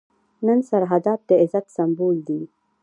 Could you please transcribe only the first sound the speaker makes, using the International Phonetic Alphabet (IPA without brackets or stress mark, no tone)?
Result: n